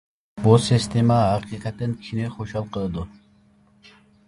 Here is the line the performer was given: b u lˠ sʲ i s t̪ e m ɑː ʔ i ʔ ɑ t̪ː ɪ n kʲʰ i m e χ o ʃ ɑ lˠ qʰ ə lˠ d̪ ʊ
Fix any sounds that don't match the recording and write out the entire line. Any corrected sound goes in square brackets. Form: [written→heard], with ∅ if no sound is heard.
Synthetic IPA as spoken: b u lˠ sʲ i s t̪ e m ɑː [ʔ→q] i [ʔ→q] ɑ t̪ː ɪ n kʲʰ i [m→n] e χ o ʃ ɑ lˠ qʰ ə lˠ d̪ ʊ

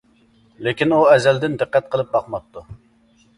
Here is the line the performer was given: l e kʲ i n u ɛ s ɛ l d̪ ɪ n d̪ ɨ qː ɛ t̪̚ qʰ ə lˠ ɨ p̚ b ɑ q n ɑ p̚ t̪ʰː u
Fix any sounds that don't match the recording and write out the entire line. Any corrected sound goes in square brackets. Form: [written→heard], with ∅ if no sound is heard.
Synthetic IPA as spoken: l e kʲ i n u ɛ [s→z] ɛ l d̪ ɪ n d̪ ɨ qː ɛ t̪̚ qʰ ə lˠ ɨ p̚ b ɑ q [n→m] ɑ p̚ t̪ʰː u

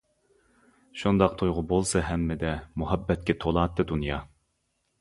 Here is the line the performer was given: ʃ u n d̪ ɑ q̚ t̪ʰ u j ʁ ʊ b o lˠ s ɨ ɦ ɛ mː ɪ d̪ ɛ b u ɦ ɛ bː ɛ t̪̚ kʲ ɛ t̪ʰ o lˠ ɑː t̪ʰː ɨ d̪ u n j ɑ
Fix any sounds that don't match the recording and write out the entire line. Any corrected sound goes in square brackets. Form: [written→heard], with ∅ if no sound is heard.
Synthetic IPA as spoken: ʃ u n d̪ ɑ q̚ t̪ʰ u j ʁ ʊ b o lˠ s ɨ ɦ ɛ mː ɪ d̪ ɛ [b→m] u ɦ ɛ bː ɛ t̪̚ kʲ ɛ t̪ʰ o lˠ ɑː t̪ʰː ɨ d̪ u n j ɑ

